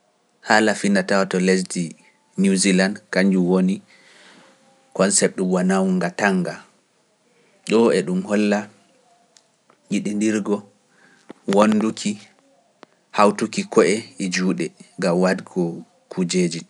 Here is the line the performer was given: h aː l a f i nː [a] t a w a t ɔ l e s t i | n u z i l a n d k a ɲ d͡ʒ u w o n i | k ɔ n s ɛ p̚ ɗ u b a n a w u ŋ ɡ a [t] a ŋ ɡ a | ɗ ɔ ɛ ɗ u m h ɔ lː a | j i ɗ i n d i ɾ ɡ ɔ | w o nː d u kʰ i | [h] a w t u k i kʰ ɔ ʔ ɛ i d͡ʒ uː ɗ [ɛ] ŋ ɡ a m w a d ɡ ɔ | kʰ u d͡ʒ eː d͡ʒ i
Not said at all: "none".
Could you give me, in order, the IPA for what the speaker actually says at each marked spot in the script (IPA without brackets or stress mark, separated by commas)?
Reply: a, t, h, ɛ